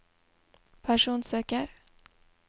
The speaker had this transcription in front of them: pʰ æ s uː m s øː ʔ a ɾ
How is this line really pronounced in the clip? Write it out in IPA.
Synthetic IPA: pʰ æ ʂ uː n s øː k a ɾ